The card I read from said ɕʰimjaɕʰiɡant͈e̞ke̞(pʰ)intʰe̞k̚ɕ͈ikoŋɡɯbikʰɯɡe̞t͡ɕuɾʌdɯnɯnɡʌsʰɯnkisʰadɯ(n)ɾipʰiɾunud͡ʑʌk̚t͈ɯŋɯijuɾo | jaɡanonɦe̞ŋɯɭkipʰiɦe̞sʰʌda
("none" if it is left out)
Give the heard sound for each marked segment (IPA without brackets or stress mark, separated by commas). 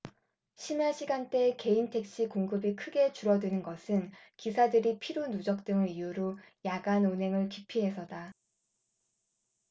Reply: none, none